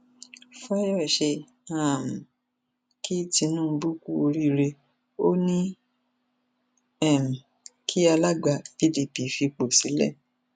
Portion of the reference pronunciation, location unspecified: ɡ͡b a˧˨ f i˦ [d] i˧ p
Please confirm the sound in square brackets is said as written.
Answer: yes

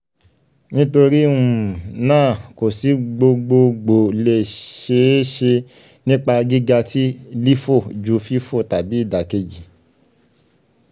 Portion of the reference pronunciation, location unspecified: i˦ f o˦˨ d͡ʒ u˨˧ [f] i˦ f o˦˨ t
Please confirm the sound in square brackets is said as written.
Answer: yes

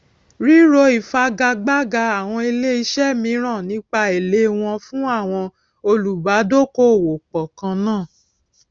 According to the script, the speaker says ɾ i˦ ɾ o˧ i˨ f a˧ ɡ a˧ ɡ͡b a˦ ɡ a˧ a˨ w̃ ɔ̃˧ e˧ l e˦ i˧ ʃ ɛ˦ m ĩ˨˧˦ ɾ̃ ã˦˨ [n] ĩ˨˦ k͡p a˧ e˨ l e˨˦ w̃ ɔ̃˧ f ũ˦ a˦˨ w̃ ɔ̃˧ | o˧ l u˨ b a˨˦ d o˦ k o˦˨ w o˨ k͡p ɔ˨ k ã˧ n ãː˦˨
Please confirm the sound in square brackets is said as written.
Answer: yes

